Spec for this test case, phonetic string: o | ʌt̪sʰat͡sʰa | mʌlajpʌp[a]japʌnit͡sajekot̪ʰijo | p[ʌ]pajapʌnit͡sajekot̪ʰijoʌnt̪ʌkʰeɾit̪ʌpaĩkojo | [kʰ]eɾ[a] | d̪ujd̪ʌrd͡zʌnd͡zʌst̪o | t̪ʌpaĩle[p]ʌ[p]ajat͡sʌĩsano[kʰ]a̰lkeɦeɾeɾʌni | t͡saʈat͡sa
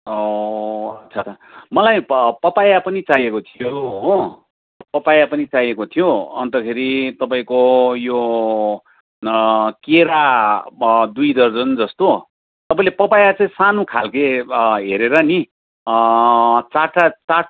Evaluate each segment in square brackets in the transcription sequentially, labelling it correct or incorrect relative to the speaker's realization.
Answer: correct, correct, incorrect: k, correct, correct, correct, correct

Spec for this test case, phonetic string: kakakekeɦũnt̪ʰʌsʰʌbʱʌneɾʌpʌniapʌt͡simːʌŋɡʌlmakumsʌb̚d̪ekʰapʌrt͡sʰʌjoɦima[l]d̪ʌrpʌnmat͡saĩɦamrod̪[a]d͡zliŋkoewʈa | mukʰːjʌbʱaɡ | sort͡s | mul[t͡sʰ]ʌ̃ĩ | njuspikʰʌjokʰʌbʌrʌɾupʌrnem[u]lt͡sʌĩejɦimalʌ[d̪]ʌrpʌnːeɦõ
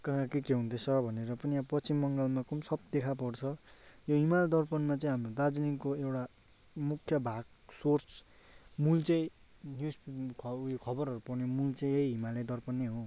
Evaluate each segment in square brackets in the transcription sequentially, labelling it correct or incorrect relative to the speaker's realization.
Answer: correct, correct, incorrect: t͡s, correct, correct

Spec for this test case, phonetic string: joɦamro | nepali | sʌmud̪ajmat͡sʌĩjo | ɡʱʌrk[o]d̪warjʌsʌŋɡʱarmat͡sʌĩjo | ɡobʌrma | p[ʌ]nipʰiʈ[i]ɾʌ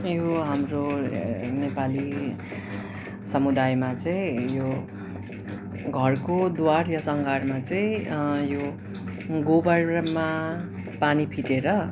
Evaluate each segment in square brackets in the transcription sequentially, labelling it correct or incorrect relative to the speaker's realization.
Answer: correct, incorrect: a, incorrect: e

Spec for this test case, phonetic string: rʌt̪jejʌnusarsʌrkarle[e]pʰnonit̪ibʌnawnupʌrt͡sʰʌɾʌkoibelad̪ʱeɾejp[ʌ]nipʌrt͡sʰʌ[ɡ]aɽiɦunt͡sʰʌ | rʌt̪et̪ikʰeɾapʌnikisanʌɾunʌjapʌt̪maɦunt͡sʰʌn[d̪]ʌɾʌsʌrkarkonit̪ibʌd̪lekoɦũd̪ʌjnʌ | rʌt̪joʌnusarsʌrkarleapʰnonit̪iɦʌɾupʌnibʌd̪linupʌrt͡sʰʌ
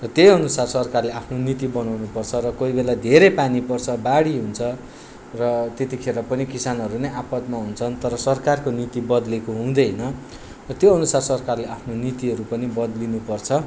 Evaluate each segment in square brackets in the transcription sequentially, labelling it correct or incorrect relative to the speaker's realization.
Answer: incorrect: a, incorrect: a, incorrect: b, incorrect: t̪

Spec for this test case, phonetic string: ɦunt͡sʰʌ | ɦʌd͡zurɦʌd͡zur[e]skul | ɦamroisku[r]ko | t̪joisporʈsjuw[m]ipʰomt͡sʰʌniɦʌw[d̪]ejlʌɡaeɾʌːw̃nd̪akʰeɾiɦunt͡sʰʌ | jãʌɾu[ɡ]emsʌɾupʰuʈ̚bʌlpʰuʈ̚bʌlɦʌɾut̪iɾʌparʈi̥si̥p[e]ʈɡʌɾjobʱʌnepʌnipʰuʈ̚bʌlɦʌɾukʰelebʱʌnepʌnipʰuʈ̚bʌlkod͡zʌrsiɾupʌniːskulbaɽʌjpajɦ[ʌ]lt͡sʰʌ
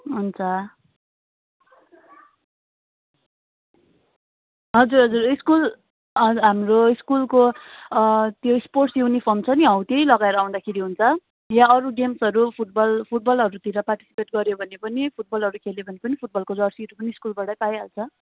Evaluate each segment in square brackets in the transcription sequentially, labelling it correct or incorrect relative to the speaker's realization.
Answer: incorrect: i, incorrect: l, incorrect: n, incorrect: t̪, correct, correct, incorrect: a

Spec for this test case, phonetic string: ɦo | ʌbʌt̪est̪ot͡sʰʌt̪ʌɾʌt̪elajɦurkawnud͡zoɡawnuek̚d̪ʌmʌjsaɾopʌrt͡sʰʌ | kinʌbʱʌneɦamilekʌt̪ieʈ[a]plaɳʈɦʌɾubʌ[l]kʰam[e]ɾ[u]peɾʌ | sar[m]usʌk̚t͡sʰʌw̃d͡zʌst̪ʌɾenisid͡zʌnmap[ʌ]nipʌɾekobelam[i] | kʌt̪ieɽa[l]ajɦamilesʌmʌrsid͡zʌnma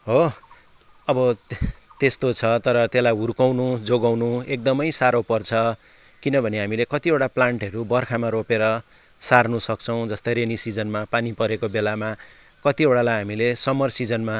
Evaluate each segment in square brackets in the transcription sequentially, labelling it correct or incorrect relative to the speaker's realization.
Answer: correct, incorrect: r, incorrect: a, incorrect: o, incorrect: n, incorrect: a, incorrect: a, correct

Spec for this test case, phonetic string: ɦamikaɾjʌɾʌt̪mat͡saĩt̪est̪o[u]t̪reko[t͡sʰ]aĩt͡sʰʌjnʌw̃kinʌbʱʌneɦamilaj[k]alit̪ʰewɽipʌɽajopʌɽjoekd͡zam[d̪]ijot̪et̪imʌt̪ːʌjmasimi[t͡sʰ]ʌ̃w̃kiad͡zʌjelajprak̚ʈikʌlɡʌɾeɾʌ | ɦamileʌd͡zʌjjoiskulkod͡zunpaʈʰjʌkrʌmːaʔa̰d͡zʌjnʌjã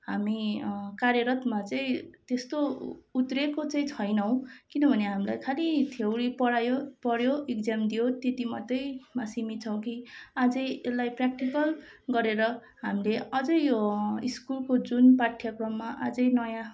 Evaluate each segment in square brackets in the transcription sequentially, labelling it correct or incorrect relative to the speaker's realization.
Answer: correct, incorrect: t͡s, incorrect: kʰ, correct, correct

